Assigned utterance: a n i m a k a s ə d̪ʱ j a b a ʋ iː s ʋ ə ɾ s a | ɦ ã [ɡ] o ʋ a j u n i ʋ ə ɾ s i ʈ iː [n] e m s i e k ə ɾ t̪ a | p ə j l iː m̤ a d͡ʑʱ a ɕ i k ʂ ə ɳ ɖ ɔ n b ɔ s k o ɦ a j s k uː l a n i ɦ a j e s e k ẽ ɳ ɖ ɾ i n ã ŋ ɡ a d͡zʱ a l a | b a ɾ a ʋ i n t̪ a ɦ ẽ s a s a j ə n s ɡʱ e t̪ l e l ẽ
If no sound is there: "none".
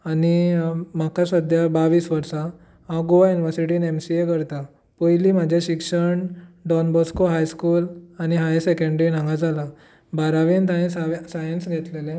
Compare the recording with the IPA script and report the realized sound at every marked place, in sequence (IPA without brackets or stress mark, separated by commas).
ɡ, n